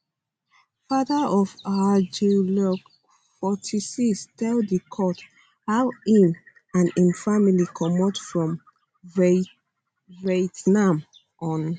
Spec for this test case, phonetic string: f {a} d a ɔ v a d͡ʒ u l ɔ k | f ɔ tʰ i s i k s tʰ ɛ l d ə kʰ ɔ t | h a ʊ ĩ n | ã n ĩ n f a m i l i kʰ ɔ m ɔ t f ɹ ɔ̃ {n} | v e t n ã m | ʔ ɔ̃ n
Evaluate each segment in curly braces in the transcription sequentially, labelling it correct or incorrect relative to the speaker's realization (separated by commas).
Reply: correct, incorrect